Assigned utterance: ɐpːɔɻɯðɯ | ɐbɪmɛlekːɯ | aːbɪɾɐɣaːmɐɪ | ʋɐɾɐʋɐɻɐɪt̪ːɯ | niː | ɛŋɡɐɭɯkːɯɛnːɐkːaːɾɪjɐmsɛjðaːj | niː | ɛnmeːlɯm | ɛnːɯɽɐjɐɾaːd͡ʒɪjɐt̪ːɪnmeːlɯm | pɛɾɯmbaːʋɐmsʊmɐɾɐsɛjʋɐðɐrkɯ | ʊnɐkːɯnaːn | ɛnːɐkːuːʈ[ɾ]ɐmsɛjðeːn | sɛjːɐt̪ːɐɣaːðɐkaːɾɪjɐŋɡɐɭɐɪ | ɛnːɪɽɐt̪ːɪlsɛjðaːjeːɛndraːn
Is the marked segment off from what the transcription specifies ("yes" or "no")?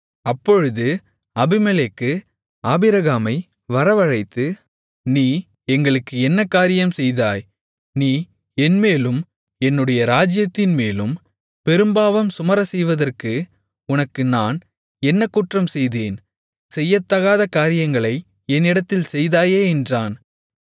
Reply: yes